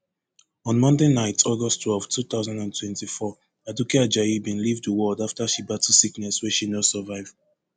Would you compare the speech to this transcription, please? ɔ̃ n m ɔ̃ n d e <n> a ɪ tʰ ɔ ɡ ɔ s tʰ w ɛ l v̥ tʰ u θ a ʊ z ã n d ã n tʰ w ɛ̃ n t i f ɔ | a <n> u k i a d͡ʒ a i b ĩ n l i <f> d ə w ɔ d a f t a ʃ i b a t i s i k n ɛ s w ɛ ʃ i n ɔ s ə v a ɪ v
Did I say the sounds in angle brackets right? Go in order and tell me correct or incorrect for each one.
correct, incorrect, incorrect

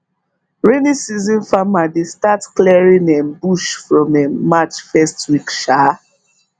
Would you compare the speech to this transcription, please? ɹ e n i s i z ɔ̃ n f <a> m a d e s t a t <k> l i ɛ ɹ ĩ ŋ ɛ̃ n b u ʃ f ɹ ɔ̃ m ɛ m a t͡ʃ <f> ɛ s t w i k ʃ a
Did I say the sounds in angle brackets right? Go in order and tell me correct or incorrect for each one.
correct, correct, correct

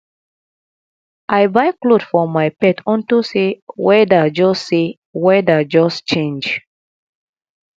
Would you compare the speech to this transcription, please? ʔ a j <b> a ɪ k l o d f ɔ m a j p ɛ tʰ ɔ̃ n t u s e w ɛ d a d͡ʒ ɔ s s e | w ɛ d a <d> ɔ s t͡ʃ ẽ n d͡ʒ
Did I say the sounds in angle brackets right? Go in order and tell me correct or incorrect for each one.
correct, incorrect

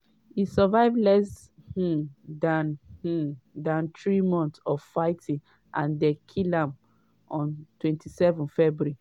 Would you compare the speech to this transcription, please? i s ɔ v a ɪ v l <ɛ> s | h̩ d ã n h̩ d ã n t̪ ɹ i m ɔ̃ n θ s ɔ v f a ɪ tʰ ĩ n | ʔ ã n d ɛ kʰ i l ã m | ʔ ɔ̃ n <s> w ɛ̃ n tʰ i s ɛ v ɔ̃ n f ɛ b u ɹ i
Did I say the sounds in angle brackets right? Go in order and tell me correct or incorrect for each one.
correct, incorrect

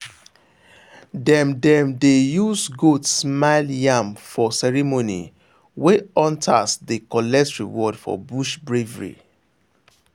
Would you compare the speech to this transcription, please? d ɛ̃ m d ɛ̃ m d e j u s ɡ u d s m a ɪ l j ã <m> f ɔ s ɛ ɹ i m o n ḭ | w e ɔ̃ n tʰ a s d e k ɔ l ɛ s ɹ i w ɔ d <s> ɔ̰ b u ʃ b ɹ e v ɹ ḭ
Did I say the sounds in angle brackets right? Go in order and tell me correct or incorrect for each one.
correct, incorrect

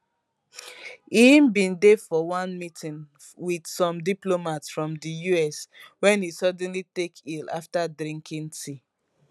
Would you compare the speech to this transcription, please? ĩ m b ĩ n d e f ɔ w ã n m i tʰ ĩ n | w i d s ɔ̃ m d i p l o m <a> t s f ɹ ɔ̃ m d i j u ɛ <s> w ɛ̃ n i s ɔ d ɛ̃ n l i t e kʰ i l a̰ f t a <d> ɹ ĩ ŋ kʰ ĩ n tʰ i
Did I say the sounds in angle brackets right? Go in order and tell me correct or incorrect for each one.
correct, correct, correct

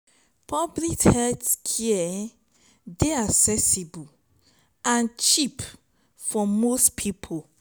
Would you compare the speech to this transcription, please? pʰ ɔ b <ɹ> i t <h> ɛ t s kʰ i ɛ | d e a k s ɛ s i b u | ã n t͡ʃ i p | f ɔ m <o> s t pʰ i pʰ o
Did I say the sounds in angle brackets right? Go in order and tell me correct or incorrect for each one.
incorrect, correct, correct

